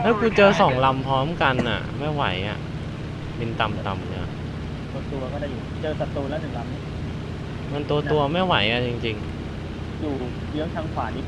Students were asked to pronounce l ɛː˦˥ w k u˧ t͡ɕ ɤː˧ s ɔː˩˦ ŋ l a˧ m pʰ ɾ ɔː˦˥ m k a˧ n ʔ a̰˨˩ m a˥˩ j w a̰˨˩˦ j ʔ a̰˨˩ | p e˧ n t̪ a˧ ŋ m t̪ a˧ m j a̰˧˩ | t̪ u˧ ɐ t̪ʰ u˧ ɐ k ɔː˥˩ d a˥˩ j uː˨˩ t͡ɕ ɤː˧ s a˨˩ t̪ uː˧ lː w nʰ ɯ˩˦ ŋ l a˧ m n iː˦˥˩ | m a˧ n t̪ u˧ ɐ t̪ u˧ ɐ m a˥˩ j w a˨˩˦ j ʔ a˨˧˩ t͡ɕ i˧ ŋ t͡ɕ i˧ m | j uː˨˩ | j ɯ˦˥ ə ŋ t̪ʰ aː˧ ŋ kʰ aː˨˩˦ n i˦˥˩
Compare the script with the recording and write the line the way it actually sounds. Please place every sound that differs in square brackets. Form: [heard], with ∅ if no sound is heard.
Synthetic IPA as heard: l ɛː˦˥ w k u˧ t͡ɕ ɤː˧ s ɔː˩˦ ŋ l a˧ m pʰ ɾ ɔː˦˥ m k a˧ n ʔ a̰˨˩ m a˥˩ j w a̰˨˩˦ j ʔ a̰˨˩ | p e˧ n t̪ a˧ [∅] m t̪ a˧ m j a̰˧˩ | t̪ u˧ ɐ [t̪] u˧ ɐ k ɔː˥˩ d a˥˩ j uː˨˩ t͡ɕ ɤː˧ s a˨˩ t̪ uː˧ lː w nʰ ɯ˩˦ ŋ l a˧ m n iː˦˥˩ | m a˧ n t̪ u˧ ɐ t̪ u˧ ɐ m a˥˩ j w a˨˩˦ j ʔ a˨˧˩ t͡ɕ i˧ ŋ t͡ɕ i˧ [ŋ] | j uː˨˩ | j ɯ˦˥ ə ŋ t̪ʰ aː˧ ŋ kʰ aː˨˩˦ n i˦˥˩